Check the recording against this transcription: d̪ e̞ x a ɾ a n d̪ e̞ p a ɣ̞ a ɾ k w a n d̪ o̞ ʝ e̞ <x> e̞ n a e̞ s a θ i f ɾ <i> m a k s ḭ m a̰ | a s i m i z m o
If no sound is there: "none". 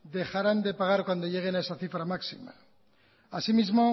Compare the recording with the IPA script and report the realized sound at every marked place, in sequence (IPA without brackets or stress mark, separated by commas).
ɣ, a